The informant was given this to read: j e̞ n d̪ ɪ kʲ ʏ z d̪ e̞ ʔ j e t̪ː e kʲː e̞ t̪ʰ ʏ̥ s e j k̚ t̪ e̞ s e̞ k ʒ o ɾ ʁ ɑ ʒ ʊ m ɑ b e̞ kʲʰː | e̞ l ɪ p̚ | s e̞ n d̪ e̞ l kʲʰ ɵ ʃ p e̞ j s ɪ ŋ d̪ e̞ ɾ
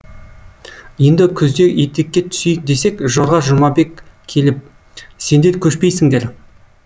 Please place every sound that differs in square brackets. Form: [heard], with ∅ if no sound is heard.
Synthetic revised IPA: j e̞ n d̪ ɪ [kʲʰ] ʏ z d̪ e̞ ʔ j e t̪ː e kʲː e̞ t̪ʰ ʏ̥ s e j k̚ [d̪] e̞ s e̞ k ʒ o ɾ ʁ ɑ ʒ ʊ m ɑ b e̞ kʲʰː | e̞ l ɪ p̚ | s e̞ n d̪ e̞ [ɾ] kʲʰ ɵ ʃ p e̞ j s ɪ ŋ d̪ e̞ ɾ